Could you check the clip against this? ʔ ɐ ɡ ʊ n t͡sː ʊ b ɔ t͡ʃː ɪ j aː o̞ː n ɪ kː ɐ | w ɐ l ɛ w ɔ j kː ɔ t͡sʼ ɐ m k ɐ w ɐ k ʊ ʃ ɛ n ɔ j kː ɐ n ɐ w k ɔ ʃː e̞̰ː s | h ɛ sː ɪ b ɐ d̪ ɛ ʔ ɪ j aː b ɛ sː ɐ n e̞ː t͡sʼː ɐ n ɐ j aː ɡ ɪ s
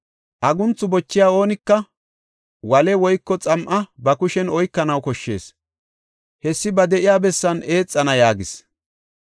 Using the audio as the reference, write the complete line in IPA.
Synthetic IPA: ʔ ɐ ɡ ʊ n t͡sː ʊ b ɔ t͡ʃː ɪ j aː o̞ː n ɪ kː ɐ | w ɐ l ɛ w ɔ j kː ɔ t͡sʼ ɐ m ʔ ɐ b ɐ k ʊ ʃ ɛ n ɔ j kː ɐ n ɐ w k ɔ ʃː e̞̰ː s | h ɛ sː ɪ b ɐ d̪ ɛ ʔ ɪ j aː b ɛ sː ɐ n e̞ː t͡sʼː ɐ n ɐ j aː ɡ ɪ s